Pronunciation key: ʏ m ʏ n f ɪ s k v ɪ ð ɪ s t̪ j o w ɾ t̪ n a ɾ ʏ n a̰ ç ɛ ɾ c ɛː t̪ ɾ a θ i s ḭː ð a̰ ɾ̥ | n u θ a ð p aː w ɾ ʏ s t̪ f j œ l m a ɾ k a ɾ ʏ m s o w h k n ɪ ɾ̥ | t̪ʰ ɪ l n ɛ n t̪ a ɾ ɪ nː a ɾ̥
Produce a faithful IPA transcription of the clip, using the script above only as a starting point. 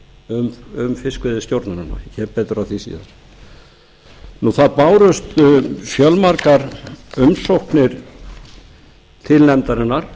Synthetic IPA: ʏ m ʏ m f ɪ s k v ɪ ð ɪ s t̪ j o w ɾ t̪ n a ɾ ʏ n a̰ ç ɛ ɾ p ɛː t̪ ɾ a θ i s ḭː ð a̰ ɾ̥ | n u θ a ð p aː w ɾ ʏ s t̪ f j œ l m a ɾ k a ɾ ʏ m s o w h k n ɪ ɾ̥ | t̪ʰ ɪ l n ɛ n t̪ a ɾ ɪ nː a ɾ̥